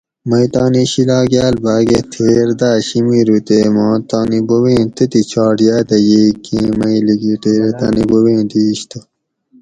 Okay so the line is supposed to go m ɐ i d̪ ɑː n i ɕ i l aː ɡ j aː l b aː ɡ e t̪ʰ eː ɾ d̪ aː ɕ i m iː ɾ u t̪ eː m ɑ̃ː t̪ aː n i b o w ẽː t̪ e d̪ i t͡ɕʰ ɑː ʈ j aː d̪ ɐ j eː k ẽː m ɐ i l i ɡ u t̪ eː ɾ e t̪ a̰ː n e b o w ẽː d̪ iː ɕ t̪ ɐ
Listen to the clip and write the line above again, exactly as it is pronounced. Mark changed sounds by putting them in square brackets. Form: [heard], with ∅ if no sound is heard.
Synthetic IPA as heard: m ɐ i [t̪] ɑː n i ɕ i l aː ɡ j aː l b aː ɡ e t̪ʰ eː ɾ d̪ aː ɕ i m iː ɾ u t̪ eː m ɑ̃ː t̪ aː n i b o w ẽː t̪ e [t̪] i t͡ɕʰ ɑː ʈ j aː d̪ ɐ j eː k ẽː m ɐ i l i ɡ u t̪ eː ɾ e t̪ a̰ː n [i] b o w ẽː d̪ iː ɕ t̪ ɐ